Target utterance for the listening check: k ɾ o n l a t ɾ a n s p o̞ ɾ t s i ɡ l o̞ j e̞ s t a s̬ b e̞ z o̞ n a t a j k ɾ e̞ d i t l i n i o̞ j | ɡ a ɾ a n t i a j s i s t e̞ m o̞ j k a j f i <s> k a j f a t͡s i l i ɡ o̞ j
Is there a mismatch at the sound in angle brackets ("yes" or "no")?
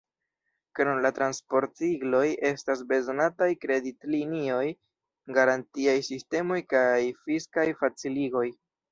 no